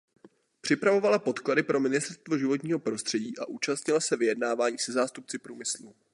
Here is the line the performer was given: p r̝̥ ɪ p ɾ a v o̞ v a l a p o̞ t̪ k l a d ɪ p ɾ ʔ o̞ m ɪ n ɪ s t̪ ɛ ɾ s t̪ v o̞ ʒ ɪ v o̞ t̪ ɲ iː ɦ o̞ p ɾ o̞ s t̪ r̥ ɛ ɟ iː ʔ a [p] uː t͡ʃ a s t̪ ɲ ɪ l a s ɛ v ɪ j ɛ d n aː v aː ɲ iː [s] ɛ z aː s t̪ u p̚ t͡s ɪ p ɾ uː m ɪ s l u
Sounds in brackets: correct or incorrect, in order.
incorrect: ʔ, correct

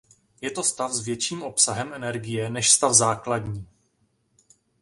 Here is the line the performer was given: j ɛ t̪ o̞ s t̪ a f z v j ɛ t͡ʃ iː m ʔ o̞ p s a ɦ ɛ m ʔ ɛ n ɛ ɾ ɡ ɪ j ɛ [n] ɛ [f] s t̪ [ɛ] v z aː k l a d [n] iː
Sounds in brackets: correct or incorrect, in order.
correct, incorrect: ʃ, incorrect: a, incorrect: ɲ

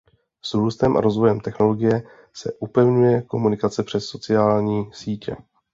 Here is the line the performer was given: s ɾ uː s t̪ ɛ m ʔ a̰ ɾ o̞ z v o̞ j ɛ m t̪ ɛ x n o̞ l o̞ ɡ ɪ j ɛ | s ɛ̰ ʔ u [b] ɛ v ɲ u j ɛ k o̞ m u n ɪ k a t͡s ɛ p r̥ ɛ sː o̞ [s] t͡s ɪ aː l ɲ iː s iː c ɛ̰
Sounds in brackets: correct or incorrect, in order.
incorrect: p, incorrect: none

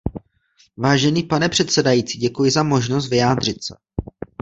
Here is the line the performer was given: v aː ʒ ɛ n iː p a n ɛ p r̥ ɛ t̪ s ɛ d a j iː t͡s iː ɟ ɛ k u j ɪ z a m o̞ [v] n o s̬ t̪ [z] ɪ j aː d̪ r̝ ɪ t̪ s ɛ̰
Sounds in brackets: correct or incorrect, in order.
incorrect: ʒ, incorrect: v

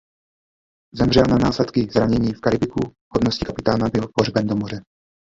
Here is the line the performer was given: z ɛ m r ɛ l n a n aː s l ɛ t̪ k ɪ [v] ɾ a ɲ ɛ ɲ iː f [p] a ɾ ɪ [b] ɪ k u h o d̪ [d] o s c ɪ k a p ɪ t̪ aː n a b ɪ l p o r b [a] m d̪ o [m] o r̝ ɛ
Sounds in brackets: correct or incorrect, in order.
incorrect: z, incorrect: k, correct, incorrect: n, incorrect: ɛ, correct

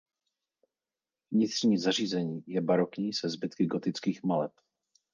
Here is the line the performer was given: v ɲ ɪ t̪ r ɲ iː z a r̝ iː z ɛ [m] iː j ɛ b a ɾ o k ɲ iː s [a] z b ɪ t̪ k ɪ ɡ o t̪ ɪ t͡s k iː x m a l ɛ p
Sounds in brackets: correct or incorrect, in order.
incorrect: ɲ, incorrect: ɛ

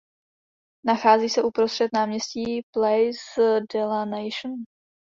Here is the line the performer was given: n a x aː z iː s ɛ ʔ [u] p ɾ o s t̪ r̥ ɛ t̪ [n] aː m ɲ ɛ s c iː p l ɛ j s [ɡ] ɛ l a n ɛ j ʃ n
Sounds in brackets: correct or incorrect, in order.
correct, correct, incorrect: d

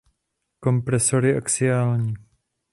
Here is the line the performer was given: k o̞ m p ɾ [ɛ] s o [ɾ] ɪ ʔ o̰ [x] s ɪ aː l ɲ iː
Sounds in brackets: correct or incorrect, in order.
correct, correct, incorrect: k

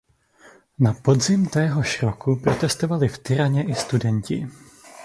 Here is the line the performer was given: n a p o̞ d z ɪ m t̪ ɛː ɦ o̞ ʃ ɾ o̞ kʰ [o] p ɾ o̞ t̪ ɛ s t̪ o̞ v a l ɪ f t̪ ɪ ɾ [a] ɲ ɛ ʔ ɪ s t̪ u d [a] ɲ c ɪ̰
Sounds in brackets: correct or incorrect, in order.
incorrect: u, correct, incorrect: ɛ

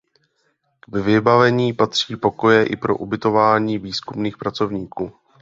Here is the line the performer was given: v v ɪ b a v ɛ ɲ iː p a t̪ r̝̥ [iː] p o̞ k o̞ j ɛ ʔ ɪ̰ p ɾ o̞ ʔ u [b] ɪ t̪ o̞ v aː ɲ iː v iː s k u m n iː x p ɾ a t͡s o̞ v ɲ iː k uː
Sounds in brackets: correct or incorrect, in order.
correct, correct

